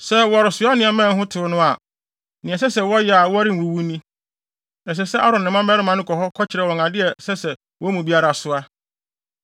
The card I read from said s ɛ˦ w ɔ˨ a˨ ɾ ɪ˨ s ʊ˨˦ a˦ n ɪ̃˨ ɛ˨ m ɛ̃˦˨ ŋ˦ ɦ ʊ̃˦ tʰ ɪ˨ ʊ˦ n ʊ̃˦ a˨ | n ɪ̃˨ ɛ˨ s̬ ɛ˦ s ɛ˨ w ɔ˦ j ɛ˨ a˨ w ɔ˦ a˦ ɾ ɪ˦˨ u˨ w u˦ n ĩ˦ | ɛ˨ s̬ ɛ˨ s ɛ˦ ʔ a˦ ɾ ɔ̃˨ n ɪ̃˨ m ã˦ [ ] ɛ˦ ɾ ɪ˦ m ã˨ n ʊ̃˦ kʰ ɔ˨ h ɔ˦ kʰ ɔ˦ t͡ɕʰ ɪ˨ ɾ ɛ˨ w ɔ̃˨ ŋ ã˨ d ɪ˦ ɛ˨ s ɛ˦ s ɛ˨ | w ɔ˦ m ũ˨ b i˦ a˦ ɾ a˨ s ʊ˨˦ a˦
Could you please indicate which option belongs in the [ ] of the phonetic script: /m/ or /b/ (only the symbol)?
m